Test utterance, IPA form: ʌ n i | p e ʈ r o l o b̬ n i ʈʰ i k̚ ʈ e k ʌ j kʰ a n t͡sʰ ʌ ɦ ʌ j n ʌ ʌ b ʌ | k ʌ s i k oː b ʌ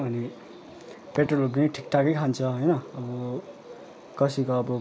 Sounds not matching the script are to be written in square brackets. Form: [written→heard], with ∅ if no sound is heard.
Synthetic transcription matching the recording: ʌ n i | p e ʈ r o l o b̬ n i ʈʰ i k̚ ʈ [e→a] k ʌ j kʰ a n t͡sʰ ʌ ɦ ʌ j n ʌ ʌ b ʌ | k ʌ s i k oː b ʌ